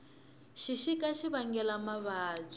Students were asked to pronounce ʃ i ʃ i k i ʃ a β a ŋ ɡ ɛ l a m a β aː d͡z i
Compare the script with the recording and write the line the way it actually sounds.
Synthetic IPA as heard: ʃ i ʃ i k a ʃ i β a ŋ ɡ ɛ l a m a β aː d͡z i